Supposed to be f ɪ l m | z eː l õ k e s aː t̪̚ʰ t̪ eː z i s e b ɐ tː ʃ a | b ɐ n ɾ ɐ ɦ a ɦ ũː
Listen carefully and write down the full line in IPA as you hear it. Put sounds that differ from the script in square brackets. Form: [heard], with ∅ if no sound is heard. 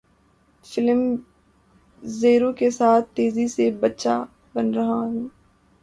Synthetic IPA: f ɪ l m | z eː [ɾ] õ k e s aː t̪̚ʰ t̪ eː z i s e b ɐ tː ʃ a | b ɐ n ɾ ɐ ɦ a ɦ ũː

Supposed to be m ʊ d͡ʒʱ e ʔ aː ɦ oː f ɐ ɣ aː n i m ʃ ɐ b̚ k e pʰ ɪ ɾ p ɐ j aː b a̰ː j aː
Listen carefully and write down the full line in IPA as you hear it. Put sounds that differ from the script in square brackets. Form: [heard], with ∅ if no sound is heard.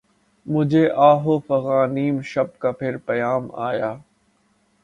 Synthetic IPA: m ʊ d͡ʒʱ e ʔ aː ɦ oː f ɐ ɣ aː n [iː] m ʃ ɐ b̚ k [a] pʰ ɪ ɾ p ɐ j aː [m] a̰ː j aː

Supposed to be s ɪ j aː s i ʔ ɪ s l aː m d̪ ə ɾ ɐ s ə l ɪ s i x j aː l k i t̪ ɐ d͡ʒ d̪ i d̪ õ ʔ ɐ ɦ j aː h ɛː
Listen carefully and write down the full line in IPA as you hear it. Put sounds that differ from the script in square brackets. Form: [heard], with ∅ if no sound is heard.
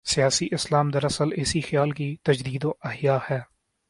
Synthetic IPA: s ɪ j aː s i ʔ ɪ s l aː m d̪ ə ɾ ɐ s ə l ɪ s i x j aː l k i t̪ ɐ d͡ʒ d̪ [iː] d̪ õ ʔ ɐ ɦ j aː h ɛː

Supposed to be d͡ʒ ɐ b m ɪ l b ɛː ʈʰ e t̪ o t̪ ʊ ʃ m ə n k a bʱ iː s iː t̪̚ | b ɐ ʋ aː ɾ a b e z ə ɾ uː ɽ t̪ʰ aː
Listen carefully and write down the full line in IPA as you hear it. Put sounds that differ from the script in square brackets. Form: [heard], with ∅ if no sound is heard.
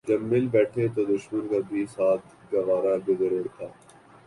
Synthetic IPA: d͡ʒ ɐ b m ɪ l b ɛː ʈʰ e t̪ o [d̪] ʊ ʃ m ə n k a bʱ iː s [aː] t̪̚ | [ɡ] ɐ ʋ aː ɾ a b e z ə ɾ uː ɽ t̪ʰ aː

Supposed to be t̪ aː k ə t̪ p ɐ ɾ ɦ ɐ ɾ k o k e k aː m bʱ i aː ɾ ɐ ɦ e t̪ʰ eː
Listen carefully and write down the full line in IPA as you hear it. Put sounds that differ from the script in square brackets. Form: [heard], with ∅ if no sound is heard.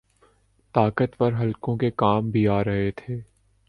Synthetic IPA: t̪ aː k ə t̪ p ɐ ɾ ɦ ɐ [l] k [õ] k e k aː m bʱ i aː ɾ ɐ ɦ e t̪ʰ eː

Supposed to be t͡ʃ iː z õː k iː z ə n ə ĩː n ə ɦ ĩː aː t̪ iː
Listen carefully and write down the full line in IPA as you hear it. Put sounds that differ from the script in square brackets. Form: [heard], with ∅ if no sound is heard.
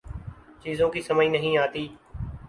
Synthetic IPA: t͡ʃ iː z õː k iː [s] ə [m] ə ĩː n ə ɦ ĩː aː t̪ iː

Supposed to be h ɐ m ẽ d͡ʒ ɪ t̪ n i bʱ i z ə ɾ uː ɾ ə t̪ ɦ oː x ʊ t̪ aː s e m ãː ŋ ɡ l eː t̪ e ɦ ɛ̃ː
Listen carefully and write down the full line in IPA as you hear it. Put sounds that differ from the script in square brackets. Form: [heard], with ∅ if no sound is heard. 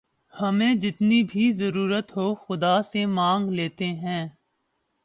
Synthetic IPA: h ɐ m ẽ d͡ʒ ɪ t̪ n i bʱ i z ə ɾ uː ɾ ə t̪ ɦ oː x ʊ [d̪] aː s e m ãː ŋ ɡ l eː t̪ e ɦ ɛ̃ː

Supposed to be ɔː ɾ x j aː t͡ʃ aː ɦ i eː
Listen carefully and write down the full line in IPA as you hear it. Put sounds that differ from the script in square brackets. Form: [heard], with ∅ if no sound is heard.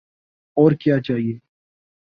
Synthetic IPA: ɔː ɾ [k] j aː t͡ʃ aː ɦ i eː

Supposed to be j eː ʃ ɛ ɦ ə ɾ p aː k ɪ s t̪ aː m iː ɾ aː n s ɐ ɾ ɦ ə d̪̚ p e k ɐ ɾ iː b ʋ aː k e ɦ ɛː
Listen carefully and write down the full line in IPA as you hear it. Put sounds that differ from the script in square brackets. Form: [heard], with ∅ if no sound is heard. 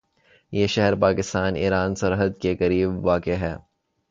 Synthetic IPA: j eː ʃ ɛ ɦ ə ɾ p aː k ɪ s t̪ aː [n] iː ɾ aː n s ɐ ɾ ɦ ə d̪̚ [k] e k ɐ ɾ iː b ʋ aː k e ɦ ɛː

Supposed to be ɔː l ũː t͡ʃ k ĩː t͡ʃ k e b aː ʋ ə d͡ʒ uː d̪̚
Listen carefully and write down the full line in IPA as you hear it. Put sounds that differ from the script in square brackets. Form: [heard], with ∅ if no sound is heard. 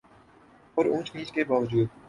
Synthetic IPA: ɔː [ɾ] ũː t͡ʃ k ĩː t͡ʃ k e b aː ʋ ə d͡ʒ uː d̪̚

